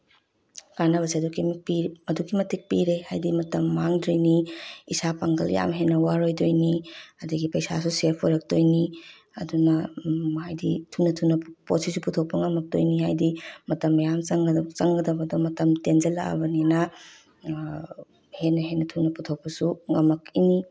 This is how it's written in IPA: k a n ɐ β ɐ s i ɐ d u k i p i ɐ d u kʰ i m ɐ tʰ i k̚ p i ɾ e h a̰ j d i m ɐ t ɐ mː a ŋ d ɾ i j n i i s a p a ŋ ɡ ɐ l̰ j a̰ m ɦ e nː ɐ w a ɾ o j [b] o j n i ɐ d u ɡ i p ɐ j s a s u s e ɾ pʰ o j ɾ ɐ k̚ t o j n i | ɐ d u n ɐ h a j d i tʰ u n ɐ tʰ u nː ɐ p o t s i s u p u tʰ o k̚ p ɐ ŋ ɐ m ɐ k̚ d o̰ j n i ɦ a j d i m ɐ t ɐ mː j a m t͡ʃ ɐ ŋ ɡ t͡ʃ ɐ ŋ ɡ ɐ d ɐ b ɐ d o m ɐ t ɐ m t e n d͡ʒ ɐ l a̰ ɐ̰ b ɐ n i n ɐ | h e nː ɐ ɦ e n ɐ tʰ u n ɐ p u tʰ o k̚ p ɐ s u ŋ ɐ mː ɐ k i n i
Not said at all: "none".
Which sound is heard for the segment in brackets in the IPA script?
d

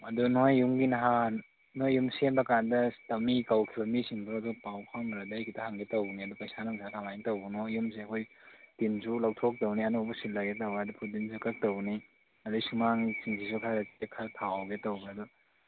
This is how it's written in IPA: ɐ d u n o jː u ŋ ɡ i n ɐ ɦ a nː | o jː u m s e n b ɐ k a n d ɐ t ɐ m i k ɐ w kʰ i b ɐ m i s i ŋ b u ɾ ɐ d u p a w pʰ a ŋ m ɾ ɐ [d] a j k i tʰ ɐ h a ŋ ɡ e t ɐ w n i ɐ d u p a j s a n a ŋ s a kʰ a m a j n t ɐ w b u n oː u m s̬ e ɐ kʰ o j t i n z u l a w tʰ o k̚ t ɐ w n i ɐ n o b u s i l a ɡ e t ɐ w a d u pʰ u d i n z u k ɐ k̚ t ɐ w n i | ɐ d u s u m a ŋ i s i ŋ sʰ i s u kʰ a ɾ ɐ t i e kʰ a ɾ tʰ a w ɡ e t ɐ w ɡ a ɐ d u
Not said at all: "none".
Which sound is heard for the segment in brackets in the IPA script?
d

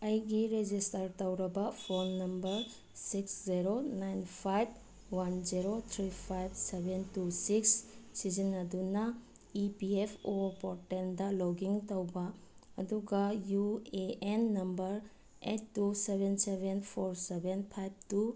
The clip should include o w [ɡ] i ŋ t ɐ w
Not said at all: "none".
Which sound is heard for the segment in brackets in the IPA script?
ɡ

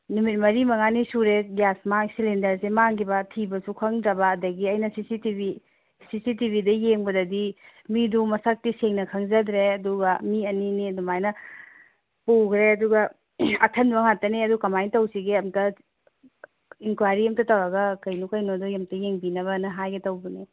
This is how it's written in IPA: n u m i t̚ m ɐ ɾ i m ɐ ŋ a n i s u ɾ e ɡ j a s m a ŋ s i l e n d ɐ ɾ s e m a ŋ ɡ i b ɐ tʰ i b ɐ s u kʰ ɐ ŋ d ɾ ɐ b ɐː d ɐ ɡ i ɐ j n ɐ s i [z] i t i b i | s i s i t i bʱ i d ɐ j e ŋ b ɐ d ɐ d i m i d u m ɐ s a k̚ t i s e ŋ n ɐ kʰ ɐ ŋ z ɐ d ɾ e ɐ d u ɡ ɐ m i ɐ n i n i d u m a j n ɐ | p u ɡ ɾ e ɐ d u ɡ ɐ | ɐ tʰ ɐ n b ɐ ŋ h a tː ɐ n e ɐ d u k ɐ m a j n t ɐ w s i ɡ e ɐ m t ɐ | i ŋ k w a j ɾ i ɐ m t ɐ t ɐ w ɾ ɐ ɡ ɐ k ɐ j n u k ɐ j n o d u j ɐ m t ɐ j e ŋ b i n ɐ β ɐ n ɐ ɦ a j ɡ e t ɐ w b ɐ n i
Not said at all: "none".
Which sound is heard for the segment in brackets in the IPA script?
s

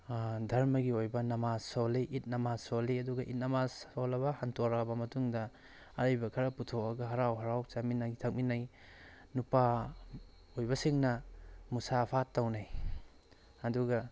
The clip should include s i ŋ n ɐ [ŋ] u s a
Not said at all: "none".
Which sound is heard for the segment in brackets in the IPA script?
m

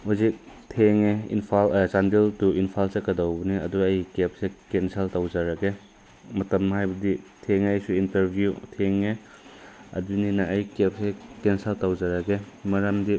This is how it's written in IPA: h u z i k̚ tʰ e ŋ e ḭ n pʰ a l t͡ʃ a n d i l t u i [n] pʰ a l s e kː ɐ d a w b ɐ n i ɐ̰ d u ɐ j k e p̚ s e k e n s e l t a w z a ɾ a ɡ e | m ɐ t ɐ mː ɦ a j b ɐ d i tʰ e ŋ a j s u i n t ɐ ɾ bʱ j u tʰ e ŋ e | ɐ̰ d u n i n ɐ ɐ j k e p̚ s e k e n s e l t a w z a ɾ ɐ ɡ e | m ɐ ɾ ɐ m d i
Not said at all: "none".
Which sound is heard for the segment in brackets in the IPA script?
n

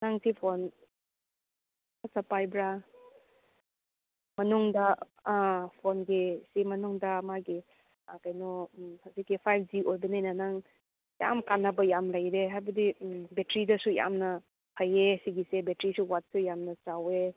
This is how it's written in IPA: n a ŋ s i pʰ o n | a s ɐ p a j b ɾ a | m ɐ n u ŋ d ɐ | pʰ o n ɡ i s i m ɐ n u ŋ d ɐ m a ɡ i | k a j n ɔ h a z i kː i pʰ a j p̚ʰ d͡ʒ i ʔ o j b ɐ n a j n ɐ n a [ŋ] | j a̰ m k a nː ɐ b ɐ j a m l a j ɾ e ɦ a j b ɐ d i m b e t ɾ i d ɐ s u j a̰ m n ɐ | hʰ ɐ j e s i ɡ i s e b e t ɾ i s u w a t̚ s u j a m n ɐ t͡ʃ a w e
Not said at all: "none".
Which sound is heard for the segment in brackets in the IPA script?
ŋ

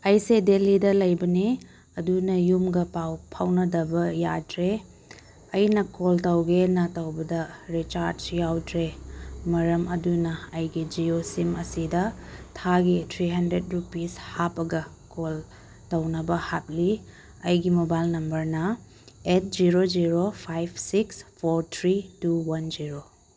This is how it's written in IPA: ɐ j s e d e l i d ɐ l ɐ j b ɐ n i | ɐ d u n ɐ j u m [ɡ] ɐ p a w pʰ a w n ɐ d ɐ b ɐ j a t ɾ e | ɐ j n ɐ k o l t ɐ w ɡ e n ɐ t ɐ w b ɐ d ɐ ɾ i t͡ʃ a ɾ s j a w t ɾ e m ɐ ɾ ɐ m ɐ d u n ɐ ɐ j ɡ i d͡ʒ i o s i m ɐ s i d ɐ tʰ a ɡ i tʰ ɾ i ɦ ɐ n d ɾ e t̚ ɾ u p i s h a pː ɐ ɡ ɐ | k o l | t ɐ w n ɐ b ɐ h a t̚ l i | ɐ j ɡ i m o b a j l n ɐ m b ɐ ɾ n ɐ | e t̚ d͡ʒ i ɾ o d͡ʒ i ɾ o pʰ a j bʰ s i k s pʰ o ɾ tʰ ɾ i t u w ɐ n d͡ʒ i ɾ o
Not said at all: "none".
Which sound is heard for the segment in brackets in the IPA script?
ɡ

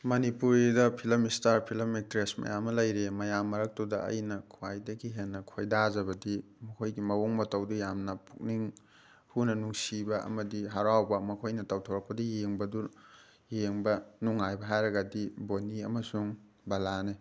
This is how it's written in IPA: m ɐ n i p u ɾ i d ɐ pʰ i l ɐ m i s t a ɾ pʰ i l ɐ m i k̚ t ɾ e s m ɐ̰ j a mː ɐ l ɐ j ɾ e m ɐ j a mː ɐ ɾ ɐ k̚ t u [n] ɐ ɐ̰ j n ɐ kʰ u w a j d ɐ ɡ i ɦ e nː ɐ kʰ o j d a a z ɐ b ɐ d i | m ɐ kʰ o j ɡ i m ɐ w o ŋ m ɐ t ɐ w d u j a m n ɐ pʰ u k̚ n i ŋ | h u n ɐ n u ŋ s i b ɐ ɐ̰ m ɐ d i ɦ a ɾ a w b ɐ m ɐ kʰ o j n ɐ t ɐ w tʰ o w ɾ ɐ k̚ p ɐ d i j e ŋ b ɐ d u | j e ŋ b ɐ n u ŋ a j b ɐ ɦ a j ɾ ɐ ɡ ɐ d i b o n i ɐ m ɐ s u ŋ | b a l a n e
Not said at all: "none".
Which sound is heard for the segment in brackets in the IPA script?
d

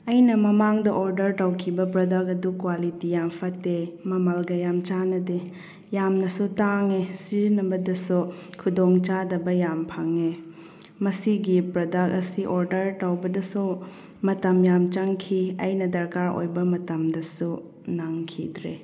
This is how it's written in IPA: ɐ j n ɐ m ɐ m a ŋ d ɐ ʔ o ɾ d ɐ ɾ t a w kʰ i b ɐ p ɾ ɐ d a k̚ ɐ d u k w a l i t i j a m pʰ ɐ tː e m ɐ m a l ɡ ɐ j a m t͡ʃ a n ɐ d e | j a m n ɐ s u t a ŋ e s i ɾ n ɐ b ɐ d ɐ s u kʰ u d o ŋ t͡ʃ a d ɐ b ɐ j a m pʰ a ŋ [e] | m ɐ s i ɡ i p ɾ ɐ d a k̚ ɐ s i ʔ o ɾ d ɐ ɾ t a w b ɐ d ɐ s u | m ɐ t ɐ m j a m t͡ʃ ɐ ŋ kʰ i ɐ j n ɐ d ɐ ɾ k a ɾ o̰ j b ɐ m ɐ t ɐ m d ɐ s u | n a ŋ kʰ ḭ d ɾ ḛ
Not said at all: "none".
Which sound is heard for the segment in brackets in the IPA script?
e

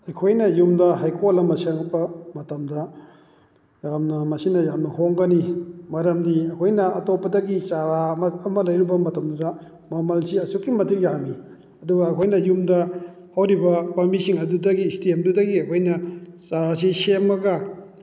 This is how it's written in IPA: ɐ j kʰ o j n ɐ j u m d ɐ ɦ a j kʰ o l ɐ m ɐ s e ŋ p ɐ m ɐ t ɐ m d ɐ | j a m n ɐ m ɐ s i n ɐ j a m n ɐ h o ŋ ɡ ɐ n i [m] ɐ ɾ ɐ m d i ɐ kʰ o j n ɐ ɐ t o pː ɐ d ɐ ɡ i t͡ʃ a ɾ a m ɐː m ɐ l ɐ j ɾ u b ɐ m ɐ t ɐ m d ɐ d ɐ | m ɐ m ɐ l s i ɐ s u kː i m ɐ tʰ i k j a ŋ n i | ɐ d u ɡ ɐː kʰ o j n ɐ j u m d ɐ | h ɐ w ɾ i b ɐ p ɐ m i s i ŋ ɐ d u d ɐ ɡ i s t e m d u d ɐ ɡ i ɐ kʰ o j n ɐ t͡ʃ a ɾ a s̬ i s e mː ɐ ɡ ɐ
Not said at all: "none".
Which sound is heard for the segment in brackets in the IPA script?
m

